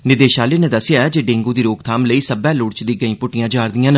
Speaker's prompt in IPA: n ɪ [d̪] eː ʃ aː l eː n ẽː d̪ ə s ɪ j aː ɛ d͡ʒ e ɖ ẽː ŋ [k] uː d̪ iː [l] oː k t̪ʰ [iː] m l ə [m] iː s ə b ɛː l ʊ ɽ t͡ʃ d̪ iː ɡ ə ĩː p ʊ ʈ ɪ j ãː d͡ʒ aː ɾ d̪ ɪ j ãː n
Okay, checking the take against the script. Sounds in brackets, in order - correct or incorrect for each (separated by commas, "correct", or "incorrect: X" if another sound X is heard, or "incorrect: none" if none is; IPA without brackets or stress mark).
correct, incorrect: ɡ, incorrect: ɾ, incorrect: aː, incorrect: none